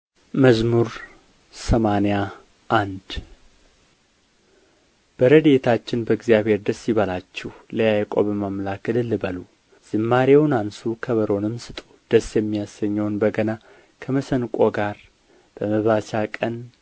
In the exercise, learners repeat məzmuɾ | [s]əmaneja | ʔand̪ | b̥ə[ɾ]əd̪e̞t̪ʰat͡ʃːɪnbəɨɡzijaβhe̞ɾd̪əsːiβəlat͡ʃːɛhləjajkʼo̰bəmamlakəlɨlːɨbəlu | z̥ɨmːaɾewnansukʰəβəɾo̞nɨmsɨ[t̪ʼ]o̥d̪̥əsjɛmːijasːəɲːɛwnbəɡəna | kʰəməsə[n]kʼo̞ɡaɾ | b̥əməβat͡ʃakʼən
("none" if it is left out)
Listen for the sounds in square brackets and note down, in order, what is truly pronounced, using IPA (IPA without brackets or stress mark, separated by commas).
s, ɾ, t̪ʼ, n